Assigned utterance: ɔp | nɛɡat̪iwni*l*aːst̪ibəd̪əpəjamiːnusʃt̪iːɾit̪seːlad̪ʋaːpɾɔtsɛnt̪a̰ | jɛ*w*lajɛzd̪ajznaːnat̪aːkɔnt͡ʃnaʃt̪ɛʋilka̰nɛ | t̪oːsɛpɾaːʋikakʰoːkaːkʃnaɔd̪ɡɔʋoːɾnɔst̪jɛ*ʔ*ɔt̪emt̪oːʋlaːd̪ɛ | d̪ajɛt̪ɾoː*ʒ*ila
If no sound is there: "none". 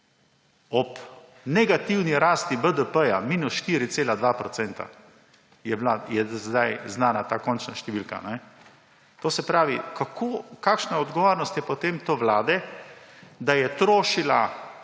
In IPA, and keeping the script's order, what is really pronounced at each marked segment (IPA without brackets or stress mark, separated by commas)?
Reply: ɾ, b, p, ʃ